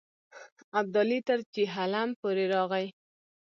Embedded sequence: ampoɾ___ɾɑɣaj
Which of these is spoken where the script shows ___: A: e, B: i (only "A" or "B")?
A